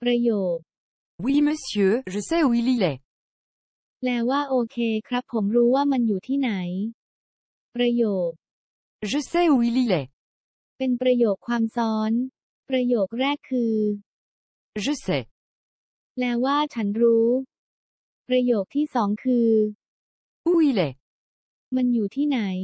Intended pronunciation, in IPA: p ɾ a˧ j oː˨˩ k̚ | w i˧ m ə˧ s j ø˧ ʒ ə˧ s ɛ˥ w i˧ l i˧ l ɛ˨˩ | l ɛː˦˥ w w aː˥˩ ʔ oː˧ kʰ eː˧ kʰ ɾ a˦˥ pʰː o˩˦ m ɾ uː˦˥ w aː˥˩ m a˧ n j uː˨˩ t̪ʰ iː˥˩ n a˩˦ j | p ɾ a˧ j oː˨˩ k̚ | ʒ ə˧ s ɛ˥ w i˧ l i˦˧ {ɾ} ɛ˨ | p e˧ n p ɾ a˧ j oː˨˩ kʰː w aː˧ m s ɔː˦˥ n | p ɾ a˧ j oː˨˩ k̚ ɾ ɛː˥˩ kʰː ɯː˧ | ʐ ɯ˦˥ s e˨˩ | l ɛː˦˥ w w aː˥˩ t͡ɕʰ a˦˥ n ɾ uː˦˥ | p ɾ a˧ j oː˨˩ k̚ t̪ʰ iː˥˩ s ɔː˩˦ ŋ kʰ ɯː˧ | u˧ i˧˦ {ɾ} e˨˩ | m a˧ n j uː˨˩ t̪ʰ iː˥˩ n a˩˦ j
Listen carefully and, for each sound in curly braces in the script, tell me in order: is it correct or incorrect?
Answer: incorrect: l, incorrect: l

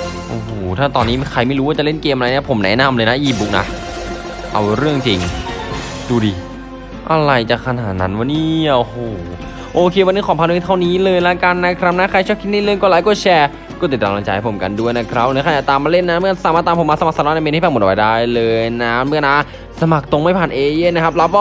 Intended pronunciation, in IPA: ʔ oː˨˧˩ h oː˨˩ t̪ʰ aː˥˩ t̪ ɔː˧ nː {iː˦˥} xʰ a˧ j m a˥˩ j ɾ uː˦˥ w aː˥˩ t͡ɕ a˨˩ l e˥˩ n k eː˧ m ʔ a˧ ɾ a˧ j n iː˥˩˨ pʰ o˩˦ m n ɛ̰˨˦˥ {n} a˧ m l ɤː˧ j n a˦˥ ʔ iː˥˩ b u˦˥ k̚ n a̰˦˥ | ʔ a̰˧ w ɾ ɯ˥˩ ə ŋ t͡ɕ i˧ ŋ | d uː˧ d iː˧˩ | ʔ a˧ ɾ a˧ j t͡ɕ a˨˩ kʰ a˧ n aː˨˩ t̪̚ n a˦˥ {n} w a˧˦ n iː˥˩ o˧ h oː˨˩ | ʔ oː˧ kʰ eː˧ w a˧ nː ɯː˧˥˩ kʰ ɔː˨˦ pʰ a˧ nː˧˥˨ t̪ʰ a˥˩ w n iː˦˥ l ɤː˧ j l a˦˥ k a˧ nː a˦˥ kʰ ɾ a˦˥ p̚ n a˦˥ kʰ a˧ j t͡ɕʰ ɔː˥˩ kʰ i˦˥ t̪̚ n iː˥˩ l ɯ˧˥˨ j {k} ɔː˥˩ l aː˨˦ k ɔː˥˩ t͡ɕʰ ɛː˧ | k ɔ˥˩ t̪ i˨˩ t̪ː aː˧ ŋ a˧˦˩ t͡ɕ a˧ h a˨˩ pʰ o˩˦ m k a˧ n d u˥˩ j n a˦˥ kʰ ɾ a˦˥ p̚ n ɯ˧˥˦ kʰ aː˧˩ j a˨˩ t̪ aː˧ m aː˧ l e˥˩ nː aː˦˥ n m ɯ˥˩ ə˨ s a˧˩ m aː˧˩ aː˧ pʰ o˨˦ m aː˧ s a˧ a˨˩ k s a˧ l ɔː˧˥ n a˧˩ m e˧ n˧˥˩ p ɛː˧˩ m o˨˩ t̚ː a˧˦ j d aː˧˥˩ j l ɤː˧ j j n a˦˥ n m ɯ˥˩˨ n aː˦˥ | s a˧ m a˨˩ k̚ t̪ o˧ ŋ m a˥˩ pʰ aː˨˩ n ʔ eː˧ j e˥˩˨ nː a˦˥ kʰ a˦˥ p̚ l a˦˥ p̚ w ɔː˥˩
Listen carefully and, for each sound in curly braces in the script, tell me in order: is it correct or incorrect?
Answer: correct, correct, correct, correct

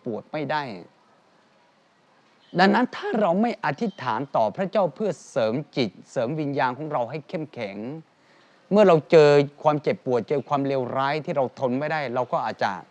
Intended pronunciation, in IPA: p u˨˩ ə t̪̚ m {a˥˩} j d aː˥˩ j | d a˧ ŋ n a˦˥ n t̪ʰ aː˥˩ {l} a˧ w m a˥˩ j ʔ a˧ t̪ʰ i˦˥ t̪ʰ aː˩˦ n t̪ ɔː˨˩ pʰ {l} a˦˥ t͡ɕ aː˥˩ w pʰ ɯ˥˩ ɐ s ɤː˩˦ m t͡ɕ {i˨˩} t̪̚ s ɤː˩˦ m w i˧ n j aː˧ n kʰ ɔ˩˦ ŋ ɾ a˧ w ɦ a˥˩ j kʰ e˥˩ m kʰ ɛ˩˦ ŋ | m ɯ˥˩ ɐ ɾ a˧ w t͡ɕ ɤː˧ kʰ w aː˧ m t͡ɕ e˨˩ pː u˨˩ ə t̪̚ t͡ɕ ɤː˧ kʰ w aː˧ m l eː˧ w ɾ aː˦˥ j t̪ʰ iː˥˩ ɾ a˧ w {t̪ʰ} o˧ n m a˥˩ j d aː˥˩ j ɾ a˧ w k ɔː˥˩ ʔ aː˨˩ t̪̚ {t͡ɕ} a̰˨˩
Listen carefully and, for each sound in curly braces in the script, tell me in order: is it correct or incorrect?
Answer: correct, incorrect: ɾ, incorrect: ɾ, correct, correct, correct

